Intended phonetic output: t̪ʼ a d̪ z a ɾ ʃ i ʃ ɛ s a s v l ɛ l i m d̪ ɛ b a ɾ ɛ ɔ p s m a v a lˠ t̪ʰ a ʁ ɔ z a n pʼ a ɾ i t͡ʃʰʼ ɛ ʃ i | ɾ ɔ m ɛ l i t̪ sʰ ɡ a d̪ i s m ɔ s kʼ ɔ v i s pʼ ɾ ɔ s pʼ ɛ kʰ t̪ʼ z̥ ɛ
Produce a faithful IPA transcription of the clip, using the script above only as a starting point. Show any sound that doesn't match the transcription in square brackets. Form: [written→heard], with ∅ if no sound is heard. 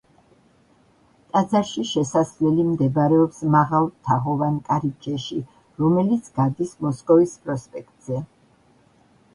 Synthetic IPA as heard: t̪ʼ a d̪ z a ɾ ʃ i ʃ ɛ s a s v l ɛ l i m d̪ ɛ b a ɾ ɛ ɔ p s m a [v→ʁ] a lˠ t̪ʰ a ʁ ɔ [z→v] a n [pʼ→kʼ] a ɾ i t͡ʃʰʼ ɛ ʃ i | ɾ ɔ m ɛ l i t̪ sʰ ɡ a d̪ i s m ɔ s kʼ ɔ v i s pʼ ɾ ɔ s pʼ ɛ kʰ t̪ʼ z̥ ɛ